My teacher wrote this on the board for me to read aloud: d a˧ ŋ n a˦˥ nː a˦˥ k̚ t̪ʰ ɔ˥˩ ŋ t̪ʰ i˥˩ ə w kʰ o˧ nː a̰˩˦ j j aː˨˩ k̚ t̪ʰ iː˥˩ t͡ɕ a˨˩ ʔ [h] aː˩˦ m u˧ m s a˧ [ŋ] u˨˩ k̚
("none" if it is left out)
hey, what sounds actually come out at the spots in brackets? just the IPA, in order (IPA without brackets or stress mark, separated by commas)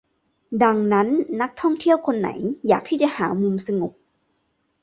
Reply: h, ŋ